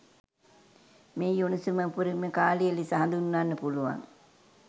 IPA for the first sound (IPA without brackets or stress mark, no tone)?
m